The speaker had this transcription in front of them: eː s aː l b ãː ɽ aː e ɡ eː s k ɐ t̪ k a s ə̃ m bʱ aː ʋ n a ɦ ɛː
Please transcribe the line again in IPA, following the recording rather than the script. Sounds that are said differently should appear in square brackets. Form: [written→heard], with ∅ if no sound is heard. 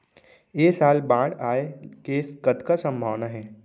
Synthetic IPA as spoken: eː s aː l b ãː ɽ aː e [ɡ→k] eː s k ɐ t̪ k a s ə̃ m bʱ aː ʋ n a ɦ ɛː